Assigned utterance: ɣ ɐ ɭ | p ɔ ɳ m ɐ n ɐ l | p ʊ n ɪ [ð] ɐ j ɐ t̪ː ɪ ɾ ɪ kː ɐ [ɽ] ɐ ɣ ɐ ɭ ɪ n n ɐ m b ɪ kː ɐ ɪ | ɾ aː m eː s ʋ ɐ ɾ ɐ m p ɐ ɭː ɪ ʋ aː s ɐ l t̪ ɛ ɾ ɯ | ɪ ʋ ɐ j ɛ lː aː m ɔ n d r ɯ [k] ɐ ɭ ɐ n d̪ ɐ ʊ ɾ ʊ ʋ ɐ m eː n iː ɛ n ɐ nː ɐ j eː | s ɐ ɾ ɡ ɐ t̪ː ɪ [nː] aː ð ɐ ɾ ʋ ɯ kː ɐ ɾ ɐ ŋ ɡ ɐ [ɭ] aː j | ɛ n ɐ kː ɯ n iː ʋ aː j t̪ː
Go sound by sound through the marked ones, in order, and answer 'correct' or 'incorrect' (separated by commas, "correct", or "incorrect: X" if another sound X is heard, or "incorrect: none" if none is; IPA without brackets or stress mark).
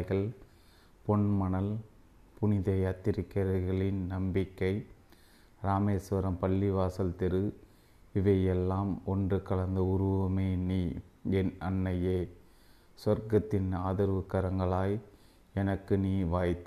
correct, incorrect: ɾ, correct, incorrect: n, correct